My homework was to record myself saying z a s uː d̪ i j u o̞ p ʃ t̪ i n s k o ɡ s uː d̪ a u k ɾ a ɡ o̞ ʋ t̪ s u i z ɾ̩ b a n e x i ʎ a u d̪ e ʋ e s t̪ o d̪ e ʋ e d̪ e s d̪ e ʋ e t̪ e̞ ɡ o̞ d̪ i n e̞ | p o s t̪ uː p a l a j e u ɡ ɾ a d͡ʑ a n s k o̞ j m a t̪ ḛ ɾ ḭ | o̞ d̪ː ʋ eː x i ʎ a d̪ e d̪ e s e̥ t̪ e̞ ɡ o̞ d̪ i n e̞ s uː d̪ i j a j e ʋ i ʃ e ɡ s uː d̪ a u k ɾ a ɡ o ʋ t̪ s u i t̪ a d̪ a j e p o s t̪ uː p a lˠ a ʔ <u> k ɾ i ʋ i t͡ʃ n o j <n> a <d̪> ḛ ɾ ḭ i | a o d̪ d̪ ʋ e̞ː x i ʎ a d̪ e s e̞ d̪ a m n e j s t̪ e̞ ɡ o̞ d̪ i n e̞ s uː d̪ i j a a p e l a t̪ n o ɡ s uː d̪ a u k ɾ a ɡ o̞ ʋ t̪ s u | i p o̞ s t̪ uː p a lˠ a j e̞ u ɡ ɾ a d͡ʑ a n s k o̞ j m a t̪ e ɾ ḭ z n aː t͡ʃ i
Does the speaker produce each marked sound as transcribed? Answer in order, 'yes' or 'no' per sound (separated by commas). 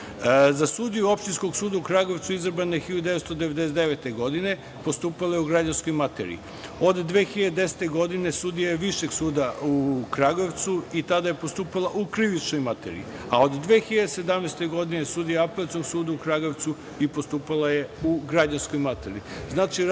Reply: yes, no, no